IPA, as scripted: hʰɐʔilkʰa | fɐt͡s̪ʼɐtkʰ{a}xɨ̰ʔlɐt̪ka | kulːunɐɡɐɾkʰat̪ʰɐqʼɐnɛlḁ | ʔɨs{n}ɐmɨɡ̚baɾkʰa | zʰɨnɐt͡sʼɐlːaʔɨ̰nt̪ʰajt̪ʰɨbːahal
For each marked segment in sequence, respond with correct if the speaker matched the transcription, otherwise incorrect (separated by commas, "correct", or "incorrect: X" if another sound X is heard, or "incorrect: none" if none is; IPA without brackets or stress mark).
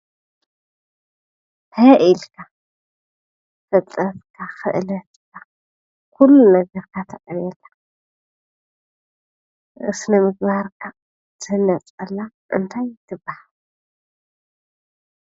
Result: correct, correct